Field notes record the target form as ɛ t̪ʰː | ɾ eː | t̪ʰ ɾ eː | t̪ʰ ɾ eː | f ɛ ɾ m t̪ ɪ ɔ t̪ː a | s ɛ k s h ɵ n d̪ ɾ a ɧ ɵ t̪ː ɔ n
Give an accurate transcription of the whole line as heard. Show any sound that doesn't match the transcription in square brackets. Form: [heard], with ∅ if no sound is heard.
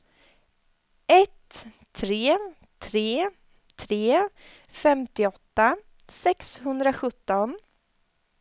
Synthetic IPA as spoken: ɛ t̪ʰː | ɾ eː | t̪ʰ ɾ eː | t̪ʰ ɾ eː | f ɛ [∅] m t̪ ɪ ɔ t̪ː a | s ɛ k s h ɵ n d̪ ɾ a ɧ ɵ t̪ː ɔ n